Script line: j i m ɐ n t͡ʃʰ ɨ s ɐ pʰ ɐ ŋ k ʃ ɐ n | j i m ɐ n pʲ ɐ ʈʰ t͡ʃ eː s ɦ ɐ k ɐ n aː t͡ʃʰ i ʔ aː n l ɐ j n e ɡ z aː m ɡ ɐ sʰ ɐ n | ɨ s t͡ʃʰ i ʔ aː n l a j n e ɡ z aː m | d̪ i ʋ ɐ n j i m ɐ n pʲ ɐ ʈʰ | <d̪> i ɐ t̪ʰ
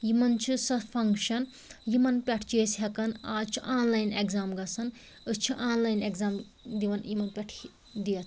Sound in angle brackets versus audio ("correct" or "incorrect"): correct